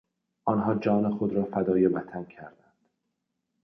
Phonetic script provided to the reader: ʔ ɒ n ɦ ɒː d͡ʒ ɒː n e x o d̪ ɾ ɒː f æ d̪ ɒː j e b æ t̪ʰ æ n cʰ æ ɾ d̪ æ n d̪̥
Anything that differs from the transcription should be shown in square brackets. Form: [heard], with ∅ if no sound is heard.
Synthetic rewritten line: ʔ ɒ n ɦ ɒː d͡ʒ ɒː n e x o d̪ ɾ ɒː f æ d̪ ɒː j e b æ t̪ʰ æ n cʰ æ ɾ d̪ æ n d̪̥